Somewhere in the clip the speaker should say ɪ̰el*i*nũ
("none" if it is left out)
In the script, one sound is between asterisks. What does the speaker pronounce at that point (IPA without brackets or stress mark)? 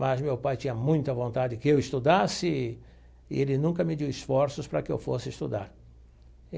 ɪ